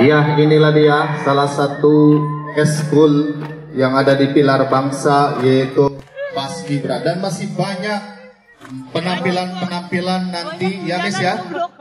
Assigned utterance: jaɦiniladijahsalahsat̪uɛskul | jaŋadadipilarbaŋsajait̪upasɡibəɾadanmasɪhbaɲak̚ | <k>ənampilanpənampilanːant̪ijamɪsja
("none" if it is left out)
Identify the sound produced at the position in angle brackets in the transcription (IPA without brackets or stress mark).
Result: p